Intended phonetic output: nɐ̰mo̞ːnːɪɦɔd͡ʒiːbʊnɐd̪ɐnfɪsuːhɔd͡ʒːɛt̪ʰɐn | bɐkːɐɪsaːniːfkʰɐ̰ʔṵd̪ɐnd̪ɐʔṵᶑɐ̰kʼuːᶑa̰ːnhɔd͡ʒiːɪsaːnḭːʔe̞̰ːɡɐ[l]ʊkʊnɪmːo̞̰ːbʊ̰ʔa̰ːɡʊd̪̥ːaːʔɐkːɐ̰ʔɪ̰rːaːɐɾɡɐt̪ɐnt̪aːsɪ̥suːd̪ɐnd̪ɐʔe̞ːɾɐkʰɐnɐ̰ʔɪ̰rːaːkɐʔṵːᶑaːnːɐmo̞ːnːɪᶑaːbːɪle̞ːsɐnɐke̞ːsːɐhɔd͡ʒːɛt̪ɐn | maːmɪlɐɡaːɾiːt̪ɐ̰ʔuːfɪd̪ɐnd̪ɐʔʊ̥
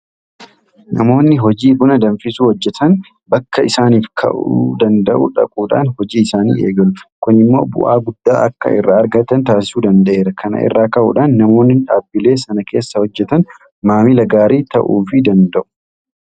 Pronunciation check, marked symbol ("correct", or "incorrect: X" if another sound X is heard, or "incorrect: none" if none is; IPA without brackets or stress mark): correct